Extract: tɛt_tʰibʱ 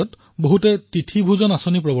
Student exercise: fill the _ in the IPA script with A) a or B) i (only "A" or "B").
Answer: B